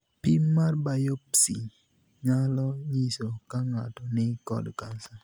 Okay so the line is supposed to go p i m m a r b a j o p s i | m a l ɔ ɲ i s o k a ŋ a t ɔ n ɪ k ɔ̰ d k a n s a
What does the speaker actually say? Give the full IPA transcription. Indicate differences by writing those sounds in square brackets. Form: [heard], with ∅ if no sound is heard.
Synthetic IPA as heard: p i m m a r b a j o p s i | [ɲ] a l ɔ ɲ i s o k a ŋ a t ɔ n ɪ k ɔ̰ d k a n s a